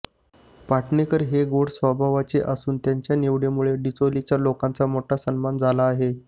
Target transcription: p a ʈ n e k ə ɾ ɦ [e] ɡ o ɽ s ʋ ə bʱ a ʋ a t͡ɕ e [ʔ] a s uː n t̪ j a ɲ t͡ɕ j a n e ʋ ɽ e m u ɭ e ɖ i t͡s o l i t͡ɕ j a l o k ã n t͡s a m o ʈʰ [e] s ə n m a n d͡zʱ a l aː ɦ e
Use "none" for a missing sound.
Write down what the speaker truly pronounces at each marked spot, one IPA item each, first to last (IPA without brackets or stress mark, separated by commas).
e, ʔ, a